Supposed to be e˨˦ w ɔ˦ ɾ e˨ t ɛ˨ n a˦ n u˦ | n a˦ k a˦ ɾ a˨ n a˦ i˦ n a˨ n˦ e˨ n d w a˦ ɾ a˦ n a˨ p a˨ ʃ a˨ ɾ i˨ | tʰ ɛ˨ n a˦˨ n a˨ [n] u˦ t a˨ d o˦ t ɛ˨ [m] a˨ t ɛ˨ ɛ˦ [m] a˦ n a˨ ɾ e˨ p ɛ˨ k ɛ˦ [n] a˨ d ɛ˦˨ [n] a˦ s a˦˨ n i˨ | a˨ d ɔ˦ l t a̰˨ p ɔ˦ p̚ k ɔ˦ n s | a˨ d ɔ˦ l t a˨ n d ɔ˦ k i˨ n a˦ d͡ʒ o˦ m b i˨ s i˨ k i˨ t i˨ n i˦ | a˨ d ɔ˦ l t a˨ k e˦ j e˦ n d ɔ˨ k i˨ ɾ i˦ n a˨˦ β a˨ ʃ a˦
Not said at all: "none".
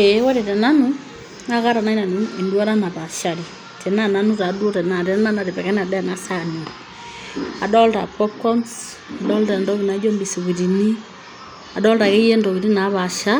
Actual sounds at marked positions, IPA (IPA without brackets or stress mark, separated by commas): n, n, n, n, n